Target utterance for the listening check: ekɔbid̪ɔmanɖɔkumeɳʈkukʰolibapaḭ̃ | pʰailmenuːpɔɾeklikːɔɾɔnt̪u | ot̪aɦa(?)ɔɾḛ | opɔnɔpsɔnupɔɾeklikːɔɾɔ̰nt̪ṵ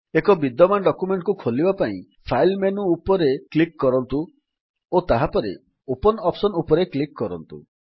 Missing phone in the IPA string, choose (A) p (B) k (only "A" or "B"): A